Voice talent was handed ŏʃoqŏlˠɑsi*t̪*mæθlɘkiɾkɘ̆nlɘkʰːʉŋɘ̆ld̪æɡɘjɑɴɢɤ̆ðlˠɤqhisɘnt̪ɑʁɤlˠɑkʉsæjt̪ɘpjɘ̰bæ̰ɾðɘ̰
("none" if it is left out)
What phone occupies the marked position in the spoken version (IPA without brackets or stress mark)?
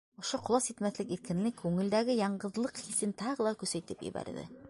t̪